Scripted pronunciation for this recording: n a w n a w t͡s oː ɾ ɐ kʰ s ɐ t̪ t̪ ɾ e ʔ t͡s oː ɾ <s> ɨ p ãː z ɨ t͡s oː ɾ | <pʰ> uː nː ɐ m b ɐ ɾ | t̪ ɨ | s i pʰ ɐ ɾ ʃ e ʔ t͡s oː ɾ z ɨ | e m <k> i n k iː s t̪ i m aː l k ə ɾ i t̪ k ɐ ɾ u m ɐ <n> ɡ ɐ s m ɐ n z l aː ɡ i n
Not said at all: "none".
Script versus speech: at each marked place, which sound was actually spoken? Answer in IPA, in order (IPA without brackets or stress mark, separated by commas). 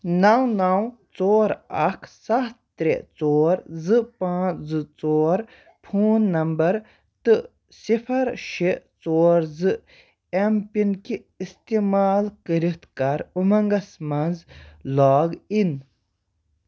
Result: z, pʰ, p, ŋ